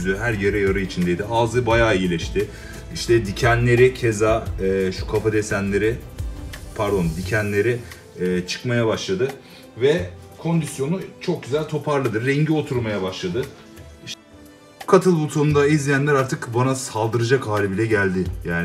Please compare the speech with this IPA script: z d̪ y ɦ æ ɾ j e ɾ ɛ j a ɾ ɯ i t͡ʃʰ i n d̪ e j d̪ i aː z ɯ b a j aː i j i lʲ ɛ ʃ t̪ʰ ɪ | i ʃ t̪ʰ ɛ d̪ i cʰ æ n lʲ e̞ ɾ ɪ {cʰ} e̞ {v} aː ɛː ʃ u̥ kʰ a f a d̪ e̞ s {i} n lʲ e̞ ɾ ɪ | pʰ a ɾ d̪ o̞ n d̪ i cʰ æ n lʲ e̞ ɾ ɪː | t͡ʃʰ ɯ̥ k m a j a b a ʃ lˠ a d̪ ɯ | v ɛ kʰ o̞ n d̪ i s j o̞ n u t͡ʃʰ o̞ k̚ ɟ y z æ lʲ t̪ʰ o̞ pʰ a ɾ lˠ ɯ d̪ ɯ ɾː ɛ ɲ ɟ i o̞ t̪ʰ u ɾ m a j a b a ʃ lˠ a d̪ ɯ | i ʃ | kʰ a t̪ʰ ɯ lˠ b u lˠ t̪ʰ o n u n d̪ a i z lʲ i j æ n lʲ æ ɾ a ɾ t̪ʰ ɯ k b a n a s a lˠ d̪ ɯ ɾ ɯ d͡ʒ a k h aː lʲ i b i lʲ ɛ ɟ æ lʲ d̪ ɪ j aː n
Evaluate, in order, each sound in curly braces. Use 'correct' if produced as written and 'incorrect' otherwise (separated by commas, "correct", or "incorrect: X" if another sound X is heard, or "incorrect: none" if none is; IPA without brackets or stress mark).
correct, incorrect: z, incorrect: æ